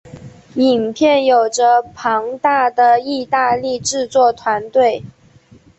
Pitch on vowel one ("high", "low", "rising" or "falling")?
low